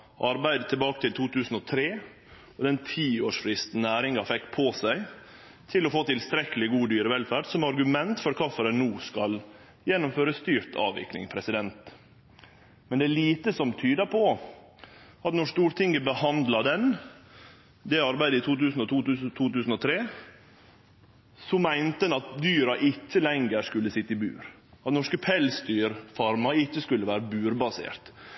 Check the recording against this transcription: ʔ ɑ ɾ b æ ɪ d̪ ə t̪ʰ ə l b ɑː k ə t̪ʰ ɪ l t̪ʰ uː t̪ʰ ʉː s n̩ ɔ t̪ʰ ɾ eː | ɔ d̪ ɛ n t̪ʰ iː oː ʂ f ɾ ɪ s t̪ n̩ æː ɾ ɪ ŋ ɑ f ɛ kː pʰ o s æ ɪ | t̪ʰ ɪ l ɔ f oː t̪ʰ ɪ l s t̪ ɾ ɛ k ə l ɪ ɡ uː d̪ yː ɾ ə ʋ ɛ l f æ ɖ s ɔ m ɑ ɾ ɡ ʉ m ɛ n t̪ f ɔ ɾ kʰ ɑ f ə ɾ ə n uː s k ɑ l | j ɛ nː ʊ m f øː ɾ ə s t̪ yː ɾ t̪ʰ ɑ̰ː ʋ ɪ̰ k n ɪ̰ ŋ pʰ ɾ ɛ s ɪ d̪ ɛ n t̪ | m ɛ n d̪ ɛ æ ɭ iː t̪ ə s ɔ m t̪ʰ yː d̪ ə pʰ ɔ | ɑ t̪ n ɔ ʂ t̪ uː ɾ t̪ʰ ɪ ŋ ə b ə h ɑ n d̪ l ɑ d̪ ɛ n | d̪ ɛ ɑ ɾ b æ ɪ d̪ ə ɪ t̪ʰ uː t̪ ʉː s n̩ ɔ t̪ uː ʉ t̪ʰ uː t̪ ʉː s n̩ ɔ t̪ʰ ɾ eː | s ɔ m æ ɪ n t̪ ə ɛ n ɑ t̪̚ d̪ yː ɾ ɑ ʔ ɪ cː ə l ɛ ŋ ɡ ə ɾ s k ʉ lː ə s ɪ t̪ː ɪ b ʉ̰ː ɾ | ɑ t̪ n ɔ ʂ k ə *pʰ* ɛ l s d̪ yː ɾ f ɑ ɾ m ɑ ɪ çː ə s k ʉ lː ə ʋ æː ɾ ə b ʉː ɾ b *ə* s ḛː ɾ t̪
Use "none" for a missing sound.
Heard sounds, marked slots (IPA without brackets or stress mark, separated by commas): pʰ, ɑ